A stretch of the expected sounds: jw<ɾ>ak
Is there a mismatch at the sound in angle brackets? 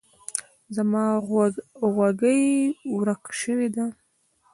no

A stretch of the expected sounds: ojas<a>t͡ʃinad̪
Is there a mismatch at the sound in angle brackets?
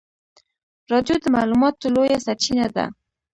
no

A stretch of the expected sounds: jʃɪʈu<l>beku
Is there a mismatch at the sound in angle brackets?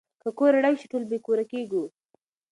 no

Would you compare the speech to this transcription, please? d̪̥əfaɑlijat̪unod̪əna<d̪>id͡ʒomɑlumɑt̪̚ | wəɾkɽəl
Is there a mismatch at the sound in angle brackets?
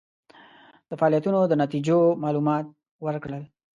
yes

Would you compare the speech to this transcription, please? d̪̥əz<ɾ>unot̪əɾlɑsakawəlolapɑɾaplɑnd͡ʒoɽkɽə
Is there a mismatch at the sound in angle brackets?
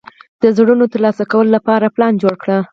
yes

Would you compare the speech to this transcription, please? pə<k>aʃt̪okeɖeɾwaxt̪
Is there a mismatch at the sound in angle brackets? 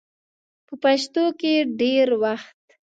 yes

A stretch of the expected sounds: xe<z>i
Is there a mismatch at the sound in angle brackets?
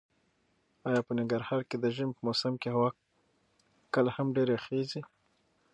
no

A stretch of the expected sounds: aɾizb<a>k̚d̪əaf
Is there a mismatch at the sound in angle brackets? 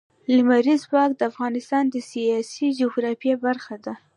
yes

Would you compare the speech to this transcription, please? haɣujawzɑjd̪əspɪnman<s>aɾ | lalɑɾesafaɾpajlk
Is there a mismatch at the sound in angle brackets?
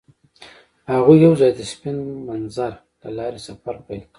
yes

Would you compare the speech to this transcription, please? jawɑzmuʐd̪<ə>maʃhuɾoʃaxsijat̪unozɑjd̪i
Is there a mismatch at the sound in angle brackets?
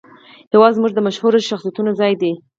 no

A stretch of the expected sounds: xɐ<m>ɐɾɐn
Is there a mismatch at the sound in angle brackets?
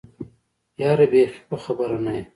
yes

